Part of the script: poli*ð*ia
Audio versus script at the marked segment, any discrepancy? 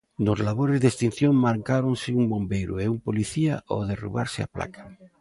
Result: yes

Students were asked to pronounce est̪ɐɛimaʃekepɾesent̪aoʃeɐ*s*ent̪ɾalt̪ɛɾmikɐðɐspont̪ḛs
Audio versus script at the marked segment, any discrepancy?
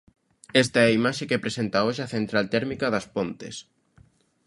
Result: yes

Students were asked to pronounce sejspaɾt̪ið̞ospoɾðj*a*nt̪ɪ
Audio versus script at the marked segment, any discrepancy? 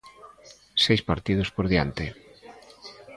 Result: no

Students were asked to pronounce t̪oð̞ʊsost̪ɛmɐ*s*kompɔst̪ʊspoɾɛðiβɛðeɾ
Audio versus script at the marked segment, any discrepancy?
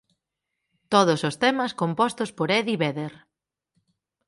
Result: no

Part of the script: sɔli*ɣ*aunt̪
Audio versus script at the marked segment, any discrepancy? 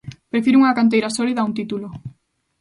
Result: yes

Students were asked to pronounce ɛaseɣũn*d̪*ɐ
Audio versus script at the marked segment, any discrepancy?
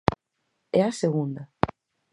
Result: no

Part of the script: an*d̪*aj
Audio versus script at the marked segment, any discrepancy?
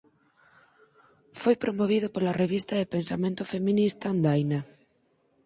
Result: no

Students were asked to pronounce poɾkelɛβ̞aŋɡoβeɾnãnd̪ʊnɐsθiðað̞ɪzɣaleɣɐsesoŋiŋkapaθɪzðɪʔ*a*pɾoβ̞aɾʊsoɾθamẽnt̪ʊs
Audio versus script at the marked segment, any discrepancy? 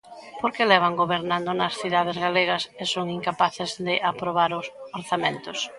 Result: no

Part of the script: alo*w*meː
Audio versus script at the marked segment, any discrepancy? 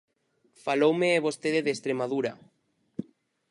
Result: no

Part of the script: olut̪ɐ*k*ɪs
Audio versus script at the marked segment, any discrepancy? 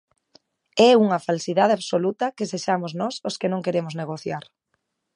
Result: no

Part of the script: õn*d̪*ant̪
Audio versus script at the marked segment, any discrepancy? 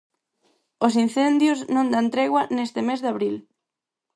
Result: no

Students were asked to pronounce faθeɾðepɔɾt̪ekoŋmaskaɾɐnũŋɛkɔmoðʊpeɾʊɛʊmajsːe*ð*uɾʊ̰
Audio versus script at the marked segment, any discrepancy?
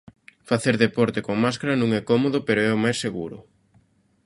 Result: yes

